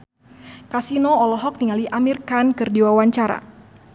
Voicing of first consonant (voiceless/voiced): voiceless